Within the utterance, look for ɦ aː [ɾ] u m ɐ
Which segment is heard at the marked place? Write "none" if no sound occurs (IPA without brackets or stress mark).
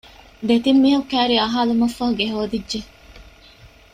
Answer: l